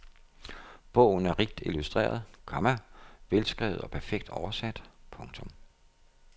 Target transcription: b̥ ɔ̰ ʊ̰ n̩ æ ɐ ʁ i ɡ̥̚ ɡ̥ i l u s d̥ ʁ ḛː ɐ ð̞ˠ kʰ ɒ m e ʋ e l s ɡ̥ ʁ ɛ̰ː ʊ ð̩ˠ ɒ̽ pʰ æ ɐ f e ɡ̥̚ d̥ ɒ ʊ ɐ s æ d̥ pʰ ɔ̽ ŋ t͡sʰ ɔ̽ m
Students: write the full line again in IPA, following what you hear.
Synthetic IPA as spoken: b̥ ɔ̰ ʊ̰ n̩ æ ɐ ʁ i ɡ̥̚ d̥ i l u s d̥ ʁ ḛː ɐ ð̞ˠ kʰ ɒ m æ ʋ e l s ɡ̥ ʁ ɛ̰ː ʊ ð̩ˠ ɒ̽ pʰ æ ɐ f e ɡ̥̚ d̥ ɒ ʊ ɐ s æ d̥ pʰ ɔ̽ ŋ t͡sʰ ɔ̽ m